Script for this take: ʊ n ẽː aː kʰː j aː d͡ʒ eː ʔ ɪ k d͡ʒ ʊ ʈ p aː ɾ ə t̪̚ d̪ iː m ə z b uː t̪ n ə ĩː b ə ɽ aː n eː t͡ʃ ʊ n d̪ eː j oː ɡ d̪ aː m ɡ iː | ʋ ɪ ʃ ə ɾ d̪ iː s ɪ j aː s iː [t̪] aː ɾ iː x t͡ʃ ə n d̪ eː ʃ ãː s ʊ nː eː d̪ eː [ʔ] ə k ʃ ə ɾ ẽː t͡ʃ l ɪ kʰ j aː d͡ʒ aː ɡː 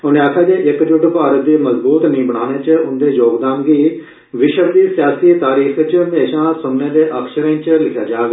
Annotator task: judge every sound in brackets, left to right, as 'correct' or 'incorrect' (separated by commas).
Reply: correct, correct